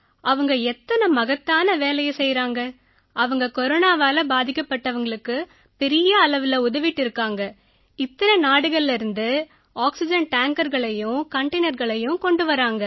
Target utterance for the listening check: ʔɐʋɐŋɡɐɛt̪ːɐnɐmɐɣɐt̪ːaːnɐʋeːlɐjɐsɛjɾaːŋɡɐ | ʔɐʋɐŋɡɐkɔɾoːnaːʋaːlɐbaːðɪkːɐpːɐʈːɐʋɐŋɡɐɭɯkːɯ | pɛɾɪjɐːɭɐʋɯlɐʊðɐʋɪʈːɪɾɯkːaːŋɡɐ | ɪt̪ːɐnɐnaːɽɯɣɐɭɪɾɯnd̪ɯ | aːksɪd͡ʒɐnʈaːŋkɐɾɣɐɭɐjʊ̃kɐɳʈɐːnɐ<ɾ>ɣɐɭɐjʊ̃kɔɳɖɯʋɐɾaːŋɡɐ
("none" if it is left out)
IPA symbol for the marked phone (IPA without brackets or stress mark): ɾ